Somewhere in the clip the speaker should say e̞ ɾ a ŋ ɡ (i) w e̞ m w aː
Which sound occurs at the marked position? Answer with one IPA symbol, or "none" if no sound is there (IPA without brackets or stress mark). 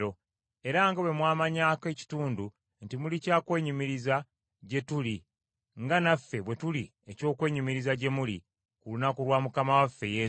a